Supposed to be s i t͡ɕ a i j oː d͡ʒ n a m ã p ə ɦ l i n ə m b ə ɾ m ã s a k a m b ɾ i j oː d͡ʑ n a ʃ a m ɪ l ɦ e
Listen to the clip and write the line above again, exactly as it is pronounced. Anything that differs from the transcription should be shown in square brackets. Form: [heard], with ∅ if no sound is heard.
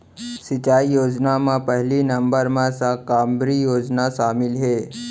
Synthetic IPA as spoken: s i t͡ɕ a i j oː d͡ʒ n a m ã p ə ɦ l i n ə m b ə ɾ m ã s a k a m b ɾ i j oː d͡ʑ n a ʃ a m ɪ l ɦ e